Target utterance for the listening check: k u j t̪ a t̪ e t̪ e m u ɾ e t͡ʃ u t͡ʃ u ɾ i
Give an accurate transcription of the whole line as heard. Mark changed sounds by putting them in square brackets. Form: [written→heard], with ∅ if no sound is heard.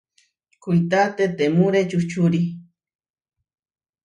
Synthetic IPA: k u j t̪ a t̪ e t̪ e m u ɾ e t͡ʃ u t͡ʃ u ɾ i

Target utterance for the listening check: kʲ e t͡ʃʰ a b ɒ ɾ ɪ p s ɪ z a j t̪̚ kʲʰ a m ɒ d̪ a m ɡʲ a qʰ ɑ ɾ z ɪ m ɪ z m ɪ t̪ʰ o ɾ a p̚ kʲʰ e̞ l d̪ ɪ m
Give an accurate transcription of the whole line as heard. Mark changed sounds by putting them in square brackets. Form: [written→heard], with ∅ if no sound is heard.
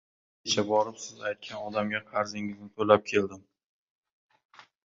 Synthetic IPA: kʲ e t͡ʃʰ a b ɒ ɾ ɪ p s ɪ z a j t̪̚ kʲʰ a [m→n] ɒ d̪ a m ɡʲ a qʰ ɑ ɾ z ɪ [m→ŋ] ɪ z [m→n] ɪ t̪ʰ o [ɾ→l] a p̚ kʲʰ e̞ l d̪ ɪ m

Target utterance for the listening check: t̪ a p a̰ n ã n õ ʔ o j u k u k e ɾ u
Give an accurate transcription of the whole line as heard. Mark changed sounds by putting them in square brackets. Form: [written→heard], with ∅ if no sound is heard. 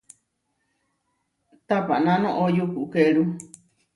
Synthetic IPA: t̪ a p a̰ n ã n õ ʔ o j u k u k e ɾ u

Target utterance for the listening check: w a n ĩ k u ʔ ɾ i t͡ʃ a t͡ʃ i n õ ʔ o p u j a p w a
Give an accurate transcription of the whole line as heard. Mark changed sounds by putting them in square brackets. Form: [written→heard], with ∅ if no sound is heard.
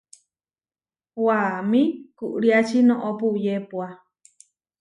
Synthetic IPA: w a [n→m] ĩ k u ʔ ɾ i [t͡ʃ→∅] a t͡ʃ i n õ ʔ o p u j [a→e] p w a

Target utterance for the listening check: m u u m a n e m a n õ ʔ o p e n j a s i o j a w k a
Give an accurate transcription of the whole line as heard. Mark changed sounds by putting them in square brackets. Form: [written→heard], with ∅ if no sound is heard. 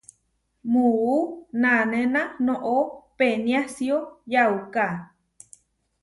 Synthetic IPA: m u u [m→n] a n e [m→n] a n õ ʔ o p e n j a s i o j a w k a

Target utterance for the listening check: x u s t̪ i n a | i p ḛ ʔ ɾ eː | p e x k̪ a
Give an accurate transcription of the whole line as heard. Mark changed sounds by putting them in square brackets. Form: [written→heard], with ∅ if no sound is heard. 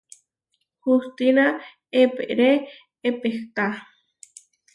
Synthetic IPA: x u s t̪ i n a | [i→e] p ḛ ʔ ɾ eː | p e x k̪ a

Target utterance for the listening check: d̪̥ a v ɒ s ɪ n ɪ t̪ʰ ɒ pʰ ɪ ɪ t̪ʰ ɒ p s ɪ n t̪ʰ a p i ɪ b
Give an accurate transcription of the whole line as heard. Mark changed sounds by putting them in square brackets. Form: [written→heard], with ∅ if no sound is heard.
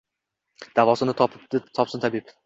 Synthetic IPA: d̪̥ a v ɒ s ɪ n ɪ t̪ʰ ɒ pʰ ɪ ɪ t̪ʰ ɒ p s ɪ n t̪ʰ a [p→b] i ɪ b

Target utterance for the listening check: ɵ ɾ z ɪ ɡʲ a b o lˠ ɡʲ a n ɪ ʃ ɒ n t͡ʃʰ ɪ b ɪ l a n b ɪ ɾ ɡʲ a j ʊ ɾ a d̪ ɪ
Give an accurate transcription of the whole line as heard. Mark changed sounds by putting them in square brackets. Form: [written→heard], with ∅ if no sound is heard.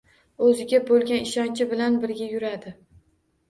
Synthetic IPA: ɵ [ɾ→∅] z ɪ ɡʲ a b o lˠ ɡʲ a n ɪ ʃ ɒ n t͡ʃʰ ɪ b ɪ l a n b ɪ ɾ ɡʲ a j ʊ ɾ a d̪ ɪ

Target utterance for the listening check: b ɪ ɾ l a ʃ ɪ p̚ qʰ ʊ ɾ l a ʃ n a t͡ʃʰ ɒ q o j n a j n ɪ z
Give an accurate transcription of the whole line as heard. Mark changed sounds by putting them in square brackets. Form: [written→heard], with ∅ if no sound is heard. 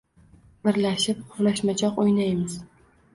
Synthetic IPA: b ɪ ɾ l a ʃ ɪ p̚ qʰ ʊ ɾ l a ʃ [n→m] a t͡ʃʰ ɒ q o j n a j [n→m] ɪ z

